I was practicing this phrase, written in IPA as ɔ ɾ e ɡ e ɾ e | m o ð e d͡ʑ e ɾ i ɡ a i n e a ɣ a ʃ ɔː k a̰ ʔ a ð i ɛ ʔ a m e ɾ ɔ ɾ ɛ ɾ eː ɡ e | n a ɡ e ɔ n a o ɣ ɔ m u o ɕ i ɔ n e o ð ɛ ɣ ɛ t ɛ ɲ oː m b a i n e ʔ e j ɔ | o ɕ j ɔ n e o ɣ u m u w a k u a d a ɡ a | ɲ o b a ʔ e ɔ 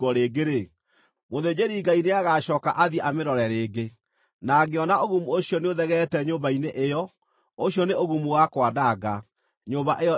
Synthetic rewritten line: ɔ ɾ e ɡ e ɾ e | m o ð e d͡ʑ e ɾ i ɡ a i n e a ɣ a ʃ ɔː k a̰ ʔ a ð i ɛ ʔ a m e ɾ ɔ ɾ ɛ ɾ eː ɡ e | n a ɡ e ɔ n a o ɣ u m u o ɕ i ɔ n e o ð ɛ ɣ ɛ t ɛ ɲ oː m b a i n e ʔ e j ɔ | o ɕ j ɔ n e o ɣ u m u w a k w a d a ɡ a | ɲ o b a ʔ e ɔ